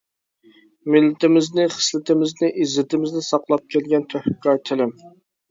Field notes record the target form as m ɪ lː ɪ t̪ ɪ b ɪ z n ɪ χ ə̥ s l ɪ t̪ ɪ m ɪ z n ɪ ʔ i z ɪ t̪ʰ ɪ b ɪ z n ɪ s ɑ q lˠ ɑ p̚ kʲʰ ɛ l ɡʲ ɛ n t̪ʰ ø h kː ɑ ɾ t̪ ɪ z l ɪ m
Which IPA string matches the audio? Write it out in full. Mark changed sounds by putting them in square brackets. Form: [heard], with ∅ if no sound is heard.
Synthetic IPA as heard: m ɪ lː ɪ t̪ ɪ [m] ɪ z n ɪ χ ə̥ s l ɪ t̪ ɪ m ɪ z n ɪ ʔ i z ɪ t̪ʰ ɪ [m] ɪ z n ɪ s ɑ q lˠ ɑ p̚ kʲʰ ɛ l ɡʲ ɛ n t̪ʰ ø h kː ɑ ɾ [t̪ʰ] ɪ [∅] l ɪ m